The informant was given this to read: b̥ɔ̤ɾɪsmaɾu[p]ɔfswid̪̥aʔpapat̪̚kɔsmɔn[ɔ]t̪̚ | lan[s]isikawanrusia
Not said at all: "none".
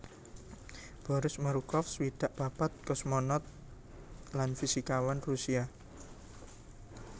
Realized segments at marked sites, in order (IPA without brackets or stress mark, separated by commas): k, ɔ, f